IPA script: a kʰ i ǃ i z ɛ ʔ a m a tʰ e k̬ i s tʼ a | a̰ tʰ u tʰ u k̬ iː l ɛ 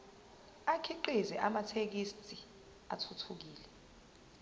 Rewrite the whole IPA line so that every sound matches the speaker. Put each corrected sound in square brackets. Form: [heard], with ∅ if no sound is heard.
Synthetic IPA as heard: a kʰ i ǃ i z ɛ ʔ a m a tʰ e k̬ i s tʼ [i] | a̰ tʰ u tʰ u k̬ iː l ɛ